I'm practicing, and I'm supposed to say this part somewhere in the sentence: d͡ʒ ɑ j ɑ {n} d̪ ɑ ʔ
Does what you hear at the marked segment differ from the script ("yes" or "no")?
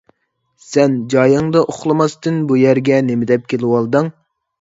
yes